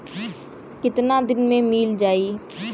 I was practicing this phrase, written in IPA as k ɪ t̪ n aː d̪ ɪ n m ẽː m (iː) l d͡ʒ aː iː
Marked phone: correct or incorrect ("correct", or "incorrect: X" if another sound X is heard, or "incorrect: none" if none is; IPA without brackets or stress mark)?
correct